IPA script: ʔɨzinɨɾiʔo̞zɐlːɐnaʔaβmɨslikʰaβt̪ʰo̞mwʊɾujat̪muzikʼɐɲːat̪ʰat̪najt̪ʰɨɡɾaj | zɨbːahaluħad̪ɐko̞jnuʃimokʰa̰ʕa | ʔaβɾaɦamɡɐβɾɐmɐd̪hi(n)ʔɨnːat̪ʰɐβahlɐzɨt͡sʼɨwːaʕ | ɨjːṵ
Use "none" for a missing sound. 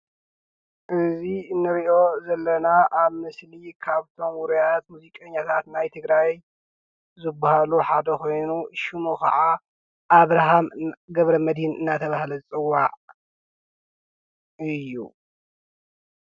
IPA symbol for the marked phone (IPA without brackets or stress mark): n